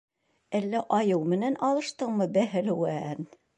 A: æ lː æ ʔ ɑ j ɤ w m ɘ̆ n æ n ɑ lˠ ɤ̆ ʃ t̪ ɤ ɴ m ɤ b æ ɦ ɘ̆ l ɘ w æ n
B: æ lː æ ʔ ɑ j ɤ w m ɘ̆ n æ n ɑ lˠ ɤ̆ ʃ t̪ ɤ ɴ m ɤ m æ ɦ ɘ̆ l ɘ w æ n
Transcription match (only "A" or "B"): A